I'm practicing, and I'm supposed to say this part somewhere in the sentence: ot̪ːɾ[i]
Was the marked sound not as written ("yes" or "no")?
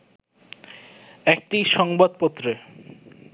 yes